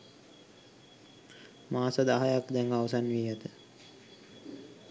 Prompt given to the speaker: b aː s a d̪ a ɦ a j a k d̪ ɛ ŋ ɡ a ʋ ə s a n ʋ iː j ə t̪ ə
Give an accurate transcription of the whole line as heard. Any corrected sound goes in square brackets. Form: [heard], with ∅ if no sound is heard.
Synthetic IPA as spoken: [m] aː s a d̪ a ɦ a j a k d̪ ɛ ŋ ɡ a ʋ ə s a n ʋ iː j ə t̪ ə